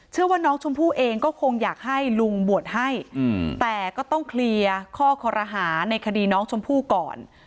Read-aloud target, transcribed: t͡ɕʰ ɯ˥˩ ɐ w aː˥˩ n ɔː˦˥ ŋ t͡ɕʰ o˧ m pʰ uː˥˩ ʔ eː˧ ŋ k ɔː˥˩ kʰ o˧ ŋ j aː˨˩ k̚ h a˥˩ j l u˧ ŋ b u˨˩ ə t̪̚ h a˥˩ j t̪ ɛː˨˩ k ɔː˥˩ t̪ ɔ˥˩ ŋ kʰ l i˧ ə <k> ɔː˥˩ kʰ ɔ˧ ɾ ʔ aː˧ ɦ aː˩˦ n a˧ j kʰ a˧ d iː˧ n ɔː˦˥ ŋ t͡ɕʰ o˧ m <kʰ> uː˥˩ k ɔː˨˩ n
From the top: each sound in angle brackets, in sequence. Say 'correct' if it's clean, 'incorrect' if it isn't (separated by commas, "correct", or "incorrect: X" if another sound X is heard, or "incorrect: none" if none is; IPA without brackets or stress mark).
incorrect: kʰ, incorrect: pʰ